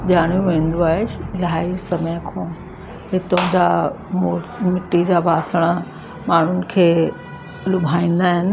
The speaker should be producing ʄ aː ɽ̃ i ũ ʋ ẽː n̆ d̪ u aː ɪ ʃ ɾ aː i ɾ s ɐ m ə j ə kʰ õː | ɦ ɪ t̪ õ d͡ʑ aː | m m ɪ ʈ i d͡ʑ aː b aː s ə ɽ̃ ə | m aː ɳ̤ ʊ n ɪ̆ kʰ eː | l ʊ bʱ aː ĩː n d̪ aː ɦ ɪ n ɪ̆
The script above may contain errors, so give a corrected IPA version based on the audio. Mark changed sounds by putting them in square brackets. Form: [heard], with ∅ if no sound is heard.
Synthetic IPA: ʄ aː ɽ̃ [j] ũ ʋ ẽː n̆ d̪ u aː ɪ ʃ [l] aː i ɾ s ɐ m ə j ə kʰ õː | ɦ ɪ t̪ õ d͡ʑ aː | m m ɪ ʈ i d͡ʑ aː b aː s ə ɽ̃ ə | m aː ɳ̤ ʊ n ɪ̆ kʰ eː | l ʊ bʱ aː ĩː n d̪ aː ɦ ɪ n ɪ̆